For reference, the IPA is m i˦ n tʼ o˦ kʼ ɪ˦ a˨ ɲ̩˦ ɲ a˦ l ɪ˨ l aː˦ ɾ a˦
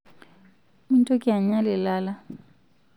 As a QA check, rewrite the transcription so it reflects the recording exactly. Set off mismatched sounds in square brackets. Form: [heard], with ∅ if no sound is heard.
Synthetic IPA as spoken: m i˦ n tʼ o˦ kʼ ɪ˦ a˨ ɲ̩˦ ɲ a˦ l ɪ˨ l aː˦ [l] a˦